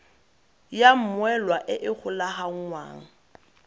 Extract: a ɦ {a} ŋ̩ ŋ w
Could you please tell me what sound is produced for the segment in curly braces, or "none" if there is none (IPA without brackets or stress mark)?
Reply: a